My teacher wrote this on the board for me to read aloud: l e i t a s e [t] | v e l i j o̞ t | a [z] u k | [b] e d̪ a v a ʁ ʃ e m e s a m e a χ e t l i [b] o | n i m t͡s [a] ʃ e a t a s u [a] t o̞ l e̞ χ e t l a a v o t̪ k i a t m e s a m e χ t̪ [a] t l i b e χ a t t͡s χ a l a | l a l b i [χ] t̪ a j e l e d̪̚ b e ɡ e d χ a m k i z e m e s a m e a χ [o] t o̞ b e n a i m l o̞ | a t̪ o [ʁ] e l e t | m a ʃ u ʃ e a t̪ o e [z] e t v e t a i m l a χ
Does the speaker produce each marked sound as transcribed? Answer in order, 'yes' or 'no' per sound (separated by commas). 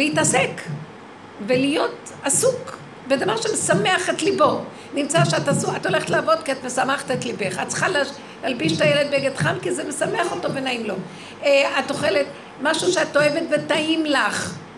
no, no, yes, yes, yes, yes, no, no, yes, no, no